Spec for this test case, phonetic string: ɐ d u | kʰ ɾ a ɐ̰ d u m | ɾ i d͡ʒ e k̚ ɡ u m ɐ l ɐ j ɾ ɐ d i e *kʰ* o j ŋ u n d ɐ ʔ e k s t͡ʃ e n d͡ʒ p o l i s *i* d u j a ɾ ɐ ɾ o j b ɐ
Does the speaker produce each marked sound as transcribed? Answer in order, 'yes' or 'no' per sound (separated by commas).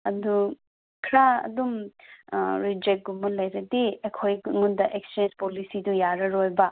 yes, yes